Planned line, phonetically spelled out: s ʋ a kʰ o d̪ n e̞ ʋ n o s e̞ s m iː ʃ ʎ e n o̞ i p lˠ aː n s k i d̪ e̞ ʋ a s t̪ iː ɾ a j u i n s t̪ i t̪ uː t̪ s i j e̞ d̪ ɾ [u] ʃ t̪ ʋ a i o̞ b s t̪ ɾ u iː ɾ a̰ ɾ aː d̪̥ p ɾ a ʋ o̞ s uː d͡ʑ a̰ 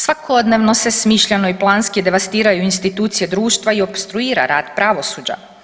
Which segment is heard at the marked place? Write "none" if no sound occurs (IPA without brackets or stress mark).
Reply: uː